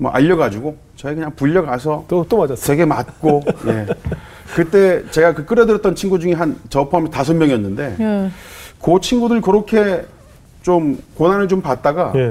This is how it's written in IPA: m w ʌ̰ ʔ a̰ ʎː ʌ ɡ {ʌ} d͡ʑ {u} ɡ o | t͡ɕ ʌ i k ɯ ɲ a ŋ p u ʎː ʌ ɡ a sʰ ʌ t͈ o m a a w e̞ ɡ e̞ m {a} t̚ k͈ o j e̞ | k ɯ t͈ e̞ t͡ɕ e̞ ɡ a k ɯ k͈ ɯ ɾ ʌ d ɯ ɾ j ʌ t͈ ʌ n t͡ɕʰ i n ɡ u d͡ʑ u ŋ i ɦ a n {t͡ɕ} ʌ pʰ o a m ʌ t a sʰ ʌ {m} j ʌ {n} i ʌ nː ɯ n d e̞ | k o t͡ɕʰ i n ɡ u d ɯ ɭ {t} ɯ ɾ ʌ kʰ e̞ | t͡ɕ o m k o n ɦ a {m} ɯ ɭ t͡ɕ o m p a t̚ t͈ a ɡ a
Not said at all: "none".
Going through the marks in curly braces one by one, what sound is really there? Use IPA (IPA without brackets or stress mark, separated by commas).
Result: a, u, a, t͡ɕ, m, ŋ, k, n